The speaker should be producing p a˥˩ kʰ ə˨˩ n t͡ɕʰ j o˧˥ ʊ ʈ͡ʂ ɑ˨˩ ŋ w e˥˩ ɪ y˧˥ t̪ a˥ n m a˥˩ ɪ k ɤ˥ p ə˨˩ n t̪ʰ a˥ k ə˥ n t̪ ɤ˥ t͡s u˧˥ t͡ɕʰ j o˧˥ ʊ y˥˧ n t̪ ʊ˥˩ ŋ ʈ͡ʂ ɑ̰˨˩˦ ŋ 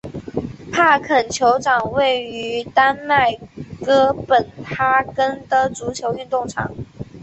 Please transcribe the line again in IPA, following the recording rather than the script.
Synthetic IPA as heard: pʰ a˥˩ kʰ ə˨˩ n t͡ɕʰ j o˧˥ ʊ ʈ͡ʂ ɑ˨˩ ŋ w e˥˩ ɪ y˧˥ t̪ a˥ n m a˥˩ ɪ k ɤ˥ p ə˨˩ n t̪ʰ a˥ k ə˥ n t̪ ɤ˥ t͡s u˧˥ t͡ɕʰ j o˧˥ ʊ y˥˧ n t̪ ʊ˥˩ ŋ ʈ͡ʂʰ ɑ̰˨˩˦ ŋ

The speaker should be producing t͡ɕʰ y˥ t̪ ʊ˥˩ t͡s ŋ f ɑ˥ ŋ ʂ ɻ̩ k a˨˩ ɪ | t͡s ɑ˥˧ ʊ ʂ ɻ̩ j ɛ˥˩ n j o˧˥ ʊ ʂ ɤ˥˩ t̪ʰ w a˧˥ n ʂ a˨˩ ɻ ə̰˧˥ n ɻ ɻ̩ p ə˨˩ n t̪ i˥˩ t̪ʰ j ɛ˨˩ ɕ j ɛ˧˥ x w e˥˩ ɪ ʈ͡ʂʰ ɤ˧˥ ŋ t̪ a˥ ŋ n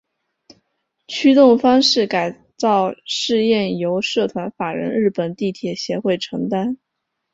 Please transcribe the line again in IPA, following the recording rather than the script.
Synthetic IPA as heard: t͡ɕʰ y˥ t̪ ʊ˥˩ ŋ f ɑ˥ ŋ ʂ ɻ̩ k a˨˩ ɪ | t͡s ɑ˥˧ ʊ ʂ ɻ̩ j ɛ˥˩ n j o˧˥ ʊ ʂ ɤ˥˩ t̪ʰ w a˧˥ n f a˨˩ ɻ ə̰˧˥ n ɻ ɻ̩ p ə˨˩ n t̪ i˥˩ t̪ʰ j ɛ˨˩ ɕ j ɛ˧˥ x w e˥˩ ɪ ʈ͡ʂʰ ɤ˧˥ ŋ t̪ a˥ n

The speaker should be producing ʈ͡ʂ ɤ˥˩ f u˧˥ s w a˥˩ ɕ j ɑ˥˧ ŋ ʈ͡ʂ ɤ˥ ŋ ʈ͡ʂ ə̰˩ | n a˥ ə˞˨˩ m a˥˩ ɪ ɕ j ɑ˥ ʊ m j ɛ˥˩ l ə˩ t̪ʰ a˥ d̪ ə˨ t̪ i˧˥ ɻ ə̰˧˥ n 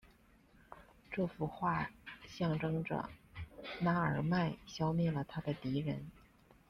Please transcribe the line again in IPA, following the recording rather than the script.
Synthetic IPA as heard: ʈ͡ʂ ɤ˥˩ f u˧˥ x w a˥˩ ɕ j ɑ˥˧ ŋ ʈ͡ʂ ɤ˥ ŋ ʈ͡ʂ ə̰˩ | n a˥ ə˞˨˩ m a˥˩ ɪ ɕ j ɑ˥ ʊ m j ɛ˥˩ l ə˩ t̪ʰ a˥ d̪ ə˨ t̪ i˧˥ ɻ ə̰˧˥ n

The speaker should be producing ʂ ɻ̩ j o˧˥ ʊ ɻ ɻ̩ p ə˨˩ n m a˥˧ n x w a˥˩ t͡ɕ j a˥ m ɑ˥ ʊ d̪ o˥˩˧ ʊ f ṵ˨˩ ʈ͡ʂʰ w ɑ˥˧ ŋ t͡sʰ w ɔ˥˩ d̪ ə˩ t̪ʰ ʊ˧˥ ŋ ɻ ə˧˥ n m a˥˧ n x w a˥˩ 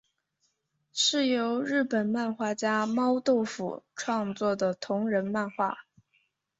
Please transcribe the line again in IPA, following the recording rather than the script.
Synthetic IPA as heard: ʂ ɻ̩ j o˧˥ ʊ ɻ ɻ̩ p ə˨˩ n m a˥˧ n x w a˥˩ t͡ɕ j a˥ m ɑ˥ ʊ t̪ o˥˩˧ ʊ f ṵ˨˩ ʈ͡ʂʰ w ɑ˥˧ ŋ t͡s w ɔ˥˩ d̪ ə˩ t̪ʰ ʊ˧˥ ŋ ɻ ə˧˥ n m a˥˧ n x w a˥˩

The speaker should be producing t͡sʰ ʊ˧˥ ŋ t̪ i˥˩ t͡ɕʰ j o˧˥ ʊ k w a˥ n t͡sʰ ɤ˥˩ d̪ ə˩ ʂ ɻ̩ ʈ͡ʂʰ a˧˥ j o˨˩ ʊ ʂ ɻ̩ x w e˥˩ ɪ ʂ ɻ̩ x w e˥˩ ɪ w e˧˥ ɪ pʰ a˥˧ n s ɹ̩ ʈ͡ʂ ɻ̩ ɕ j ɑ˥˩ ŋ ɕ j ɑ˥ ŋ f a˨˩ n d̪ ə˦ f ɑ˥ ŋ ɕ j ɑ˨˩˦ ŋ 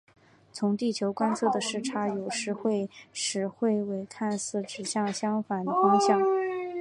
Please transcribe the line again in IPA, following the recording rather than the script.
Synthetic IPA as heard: t͡sʰ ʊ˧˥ ŋ t̪ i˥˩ t͡ɕʰ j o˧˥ ʊ k w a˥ n t͡sʰ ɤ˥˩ d̪ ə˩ ʂ ɻ̩ ʈ͡ʂʰ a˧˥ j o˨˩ ʊ ʂ ɻ̩ x w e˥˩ ɪ ʂ ɻ̩ x w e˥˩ ɪ w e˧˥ ɪ kʰ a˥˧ n s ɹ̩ ʈ͡ʂ ɻ̩ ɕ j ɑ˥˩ ŋ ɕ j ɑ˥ ŋ f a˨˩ n d̪ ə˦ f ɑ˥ ŋ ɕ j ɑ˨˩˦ ŋ

